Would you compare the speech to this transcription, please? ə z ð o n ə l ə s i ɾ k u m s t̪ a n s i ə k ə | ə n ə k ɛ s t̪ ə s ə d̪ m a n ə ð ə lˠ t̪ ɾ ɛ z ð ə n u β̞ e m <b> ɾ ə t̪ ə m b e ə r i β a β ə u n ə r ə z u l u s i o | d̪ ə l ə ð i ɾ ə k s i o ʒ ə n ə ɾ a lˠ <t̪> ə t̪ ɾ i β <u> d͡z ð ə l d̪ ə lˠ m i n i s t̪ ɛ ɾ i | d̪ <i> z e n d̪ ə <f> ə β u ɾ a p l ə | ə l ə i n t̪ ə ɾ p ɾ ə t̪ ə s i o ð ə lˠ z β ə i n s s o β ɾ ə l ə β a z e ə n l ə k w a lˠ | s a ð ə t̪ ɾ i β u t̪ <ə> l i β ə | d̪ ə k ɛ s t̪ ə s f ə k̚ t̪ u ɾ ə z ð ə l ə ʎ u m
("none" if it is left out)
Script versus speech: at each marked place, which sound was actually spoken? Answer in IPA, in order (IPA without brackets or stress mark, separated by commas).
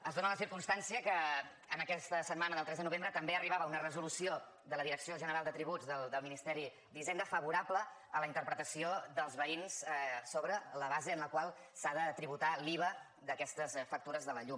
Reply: b, d̪, u, i, f, a